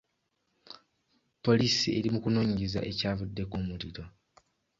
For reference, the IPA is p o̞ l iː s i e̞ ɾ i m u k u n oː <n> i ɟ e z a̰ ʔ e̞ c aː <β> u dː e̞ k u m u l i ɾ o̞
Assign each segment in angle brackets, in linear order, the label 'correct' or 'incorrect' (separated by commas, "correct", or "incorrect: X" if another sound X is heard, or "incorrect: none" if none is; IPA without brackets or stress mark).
incorrect: ɲ, incorrect: v